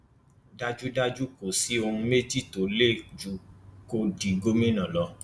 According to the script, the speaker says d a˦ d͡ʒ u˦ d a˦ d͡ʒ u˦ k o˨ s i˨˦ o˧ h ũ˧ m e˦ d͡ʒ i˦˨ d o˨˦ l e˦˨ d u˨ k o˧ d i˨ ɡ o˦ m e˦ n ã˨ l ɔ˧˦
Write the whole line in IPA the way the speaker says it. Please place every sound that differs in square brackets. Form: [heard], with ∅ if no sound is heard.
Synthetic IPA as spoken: d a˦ d͡ʒ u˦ d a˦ d͡ʒ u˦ k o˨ s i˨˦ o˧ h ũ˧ m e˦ d͡ʒ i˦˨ [t] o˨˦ l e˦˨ [d͡ʒ] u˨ k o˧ d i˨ ɡ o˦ m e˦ n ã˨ l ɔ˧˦